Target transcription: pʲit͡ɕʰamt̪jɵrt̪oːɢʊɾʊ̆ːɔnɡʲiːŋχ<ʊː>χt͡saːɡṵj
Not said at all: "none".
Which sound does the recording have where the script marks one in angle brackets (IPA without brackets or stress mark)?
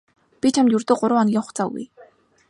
ʊ